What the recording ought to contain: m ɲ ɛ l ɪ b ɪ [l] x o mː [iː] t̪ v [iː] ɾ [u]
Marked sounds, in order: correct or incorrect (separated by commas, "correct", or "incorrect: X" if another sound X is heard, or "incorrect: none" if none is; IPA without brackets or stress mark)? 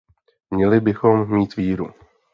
incorrect: none, correct, correct, correct